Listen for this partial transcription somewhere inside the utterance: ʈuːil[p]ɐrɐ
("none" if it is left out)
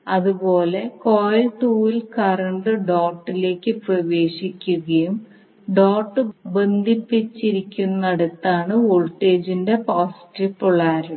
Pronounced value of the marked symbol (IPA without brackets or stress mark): k